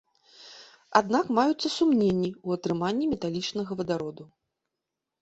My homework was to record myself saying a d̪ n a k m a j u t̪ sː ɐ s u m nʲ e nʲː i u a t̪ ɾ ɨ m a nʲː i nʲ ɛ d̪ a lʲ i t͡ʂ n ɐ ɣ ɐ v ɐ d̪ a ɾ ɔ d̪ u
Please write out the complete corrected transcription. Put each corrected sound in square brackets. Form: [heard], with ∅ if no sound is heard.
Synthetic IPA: a d̪ n a k m a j u t̪ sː ɐ s u m nʲ e nʲː i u [ɐ] t̪ ɾ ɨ m a nʲː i [mʲ] ɛ [t̪] a lʲ i t͡ʂ n ɐ ɣ ɐ v ɐ d̪ a ɾ ɔ d̪ u